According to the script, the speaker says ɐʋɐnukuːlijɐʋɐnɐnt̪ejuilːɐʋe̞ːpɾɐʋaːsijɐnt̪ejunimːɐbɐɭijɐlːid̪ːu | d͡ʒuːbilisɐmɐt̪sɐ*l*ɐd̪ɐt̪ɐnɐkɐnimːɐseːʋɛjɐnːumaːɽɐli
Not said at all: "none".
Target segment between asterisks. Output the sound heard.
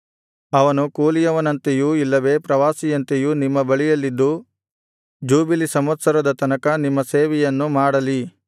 ɾ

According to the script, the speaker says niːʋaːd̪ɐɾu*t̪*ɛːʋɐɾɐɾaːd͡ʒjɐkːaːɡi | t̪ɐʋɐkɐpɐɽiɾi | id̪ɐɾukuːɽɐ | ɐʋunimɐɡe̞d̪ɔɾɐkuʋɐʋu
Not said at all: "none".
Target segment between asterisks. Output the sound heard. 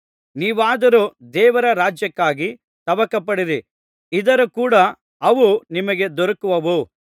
d̪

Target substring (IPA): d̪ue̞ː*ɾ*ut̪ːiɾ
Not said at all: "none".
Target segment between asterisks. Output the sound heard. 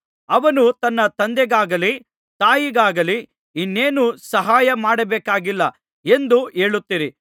ɭ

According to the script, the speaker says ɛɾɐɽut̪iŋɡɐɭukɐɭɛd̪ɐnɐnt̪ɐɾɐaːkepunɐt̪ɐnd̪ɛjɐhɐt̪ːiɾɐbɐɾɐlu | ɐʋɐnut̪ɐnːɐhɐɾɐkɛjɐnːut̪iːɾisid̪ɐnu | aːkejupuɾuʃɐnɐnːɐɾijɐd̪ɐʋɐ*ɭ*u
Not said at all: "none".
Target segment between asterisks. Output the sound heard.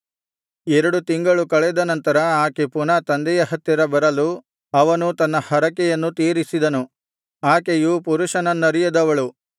ɭ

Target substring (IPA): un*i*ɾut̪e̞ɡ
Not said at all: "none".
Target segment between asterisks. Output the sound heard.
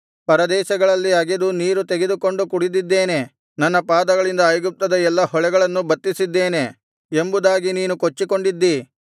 iː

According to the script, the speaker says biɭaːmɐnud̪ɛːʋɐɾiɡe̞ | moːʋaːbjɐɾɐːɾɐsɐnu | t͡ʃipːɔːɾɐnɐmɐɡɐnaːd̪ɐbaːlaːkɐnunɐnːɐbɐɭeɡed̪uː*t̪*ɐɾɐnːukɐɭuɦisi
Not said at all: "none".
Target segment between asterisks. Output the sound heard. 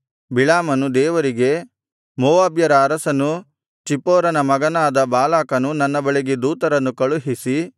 t̪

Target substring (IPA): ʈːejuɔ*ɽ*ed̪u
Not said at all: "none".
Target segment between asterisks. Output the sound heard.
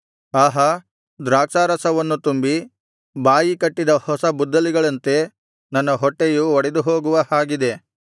ɽ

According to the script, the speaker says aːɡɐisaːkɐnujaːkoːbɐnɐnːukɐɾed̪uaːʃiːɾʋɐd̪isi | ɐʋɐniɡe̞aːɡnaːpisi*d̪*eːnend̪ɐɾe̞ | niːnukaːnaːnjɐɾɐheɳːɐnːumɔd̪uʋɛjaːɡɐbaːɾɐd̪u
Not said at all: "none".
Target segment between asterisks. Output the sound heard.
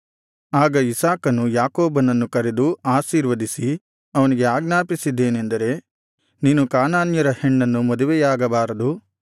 d̪ː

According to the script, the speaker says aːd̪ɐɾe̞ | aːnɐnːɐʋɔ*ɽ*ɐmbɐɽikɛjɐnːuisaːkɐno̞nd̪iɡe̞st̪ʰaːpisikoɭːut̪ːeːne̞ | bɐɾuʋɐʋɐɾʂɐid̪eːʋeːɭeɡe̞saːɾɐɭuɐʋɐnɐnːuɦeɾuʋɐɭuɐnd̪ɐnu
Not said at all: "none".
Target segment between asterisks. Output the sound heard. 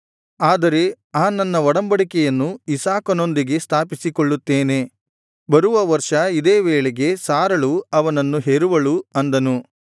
ɽ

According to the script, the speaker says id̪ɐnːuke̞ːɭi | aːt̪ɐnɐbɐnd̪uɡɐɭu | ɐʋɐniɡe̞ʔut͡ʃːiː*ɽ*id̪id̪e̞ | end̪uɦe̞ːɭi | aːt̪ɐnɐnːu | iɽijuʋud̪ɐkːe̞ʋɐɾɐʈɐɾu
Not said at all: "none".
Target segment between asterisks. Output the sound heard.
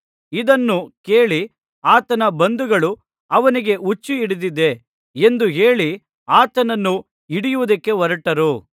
ɽ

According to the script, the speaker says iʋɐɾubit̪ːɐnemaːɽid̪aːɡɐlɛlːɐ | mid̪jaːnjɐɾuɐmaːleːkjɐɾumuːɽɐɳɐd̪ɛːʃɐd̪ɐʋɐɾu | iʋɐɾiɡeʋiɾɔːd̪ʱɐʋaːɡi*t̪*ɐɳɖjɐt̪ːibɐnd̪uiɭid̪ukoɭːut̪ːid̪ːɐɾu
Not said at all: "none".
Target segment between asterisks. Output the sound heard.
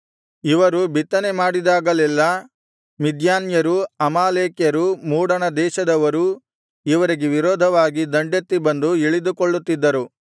d̪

